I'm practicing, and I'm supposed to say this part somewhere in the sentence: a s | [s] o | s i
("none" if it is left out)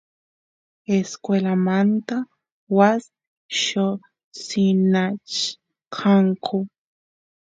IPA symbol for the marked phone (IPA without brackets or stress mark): ʃ